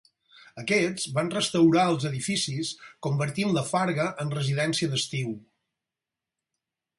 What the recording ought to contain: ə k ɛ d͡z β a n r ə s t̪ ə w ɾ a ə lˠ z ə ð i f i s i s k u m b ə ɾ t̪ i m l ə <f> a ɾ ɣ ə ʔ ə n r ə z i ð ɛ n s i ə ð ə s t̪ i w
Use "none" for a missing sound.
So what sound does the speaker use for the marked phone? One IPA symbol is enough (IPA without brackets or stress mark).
f